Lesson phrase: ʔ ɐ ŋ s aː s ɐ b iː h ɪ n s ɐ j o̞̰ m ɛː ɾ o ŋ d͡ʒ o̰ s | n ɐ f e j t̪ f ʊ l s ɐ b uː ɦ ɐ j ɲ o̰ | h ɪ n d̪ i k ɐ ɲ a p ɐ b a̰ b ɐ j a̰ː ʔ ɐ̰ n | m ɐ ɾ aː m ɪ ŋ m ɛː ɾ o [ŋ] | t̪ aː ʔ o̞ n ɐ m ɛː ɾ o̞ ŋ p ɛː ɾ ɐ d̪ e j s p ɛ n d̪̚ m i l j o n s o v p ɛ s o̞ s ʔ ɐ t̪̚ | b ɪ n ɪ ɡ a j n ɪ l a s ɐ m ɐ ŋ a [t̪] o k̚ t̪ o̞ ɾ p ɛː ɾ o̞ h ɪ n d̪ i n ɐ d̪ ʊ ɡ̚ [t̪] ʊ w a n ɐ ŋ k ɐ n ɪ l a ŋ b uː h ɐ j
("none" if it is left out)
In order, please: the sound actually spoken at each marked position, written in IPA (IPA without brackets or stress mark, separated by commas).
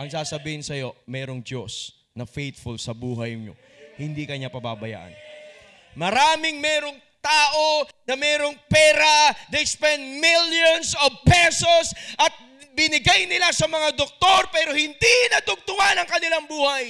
ŋ, d̪, t̪